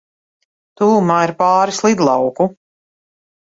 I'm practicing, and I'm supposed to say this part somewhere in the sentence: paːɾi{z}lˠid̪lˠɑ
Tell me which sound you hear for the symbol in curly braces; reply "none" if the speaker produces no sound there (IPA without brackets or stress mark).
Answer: s